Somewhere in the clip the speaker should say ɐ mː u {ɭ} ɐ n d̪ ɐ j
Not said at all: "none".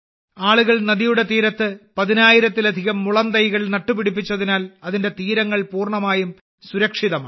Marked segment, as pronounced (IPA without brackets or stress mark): ɭ